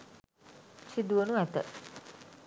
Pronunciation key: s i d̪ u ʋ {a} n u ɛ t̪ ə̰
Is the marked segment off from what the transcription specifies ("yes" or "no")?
yes